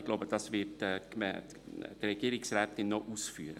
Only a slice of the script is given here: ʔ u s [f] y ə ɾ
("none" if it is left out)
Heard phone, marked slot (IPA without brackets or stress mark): f